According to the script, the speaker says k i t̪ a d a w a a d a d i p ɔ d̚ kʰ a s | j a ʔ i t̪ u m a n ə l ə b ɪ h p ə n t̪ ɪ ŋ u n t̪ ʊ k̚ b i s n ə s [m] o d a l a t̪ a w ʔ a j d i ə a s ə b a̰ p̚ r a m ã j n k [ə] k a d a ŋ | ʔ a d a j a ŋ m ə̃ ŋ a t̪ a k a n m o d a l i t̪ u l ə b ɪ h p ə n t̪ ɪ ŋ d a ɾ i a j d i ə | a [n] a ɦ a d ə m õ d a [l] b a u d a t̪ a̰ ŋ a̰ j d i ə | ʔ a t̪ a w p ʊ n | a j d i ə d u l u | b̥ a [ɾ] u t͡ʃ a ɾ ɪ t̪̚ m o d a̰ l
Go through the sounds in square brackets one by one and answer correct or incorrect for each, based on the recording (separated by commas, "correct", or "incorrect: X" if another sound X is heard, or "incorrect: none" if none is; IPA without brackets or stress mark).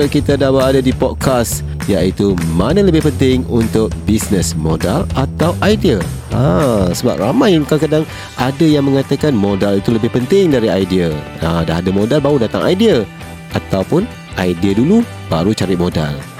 correct, incorrect: a, incorrect: d, correct, correct